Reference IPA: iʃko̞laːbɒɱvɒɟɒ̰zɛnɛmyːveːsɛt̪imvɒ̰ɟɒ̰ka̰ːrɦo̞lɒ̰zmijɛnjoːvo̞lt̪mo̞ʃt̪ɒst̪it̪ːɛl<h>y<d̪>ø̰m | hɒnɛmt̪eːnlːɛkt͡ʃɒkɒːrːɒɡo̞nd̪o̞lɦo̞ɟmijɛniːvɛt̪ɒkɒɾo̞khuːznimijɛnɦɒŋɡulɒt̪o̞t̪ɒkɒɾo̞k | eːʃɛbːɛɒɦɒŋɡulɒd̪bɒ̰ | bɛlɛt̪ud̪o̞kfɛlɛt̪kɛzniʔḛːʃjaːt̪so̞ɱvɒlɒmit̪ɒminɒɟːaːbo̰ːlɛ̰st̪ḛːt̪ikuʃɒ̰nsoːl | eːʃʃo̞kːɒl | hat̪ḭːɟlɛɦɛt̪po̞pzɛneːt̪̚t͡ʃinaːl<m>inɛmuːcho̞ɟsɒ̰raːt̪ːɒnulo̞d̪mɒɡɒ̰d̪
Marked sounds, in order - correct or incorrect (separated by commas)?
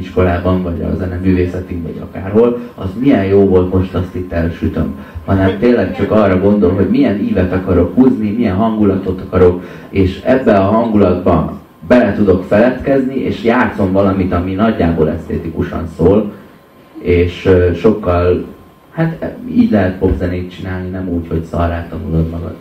incorrect, incorrect, incorrect